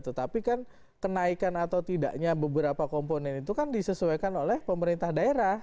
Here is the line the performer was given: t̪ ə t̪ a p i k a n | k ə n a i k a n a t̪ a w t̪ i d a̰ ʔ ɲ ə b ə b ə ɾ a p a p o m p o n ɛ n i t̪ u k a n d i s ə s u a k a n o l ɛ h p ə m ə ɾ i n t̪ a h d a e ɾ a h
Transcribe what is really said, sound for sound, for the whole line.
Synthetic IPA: t̪ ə t̪ a p i k a n | k ə n a i k a n a t̪ a w t̪ i d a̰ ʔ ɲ a b ə b ə ɾ a p a k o m p o n ɛ n i t̪ u k a n d i s ə s u a k a n o l ɛ h p ə m ə ɾ i n t̪ a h d a e ɾ a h